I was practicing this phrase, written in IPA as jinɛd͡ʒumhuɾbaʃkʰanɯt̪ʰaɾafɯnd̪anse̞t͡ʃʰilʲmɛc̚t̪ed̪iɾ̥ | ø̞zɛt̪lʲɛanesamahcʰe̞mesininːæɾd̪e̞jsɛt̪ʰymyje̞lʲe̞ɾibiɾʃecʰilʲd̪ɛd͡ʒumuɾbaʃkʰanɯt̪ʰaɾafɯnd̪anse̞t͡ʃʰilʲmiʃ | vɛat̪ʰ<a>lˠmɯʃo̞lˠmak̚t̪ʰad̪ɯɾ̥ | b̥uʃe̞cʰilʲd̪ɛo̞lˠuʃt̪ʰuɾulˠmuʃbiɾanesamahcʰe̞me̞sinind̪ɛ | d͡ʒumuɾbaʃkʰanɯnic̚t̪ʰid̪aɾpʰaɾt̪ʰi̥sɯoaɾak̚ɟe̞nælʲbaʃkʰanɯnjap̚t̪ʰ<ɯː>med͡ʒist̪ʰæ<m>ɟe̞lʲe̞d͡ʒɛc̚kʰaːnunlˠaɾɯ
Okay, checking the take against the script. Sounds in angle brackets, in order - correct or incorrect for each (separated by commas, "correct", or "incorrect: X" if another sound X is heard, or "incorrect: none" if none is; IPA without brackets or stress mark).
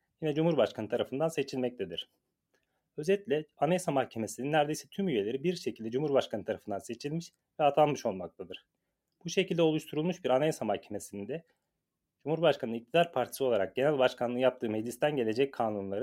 correct, correct, incorrect: n